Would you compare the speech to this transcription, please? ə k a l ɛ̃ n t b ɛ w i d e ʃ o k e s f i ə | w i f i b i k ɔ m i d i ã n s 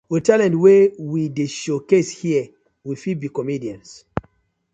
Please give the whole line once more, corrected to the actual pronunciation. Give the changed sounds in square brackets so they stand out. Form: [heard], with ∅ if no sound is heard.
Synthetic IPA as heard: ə [t] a l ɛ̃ n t [w] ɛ w i d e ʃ o k e s [h] i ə | w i f i b i k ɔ m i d i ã n s